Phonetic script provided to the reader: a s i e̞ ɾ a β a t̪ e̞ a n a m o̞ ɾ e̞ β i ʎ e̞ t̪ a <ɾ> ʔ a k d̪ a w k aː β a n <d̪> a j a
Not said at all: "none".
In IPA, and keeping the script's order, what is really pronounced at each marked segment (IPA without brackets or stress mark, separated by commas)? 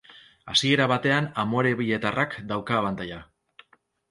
r, t̪